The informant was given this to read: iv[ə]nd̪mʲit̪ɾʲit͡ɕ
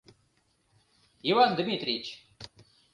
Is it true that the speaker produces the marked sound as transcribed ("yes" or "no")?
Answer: no